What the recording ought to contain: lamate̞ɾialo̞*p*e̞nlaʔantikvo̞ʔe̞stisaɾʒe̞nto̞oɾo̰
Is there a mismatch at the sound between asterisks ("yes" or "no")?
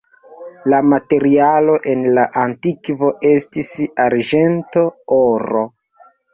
yes